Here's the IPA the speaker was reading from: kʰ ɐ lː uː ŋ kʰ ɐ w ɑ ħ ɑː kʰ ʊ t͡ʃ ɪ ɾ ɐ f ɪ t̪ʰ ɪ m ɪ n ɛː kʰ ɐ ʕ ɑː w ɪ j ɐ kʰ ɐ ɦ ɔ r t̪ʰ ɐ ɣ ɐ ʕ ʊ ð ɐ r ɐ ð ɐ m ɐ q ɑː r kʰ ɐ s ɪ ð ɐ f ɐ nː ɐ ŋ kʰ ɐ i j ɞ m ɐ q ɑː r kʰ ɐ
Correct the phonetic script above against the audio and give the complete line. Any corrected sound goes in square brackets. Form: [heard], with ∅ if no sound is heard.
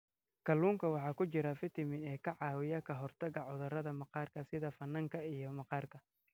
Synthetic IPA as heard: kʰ ɐ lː uː ŋ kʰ ɐ w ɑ ħ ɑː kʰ ʊ t͡ʃ ɪ ɾ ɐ f ɪ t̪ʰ ɪ m ɪ n ɛː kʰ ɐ ʕ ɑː w ɪ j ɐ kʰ ɐ ɦ ɔ r t̪ʰ ɐ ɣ ɐ ʕ ʊ ð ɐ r ɐ ð ɐ m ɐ q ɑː r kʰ ɐ s ɪ ð ɐ f ɐ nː ɐ ŋ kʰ ɐ i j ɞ m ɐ q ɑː r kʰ ɐ